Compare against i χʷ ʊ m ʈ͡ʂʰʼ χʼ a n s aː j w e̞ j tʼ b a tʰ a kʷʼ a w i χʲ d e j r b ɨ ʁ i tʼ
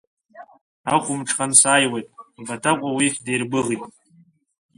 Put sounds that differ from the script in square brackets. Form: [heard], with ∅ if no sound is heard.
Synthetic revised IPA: [a] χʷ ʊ m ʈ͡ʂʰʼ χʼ a n s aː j w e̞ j tʼ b a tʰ a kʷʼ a w i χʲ d e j r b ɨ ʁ i tʼ